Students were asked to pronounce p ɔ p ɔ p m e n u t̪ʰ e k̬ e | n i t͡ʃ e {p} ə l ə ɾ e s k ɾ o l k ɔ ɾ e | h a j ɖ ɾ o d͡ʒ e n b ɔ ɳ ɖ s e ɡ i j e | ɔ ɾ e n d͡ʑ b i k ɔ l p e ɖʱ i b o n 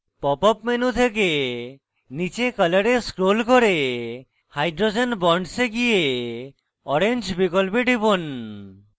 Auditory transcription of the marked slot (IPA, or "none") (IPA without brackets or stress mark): k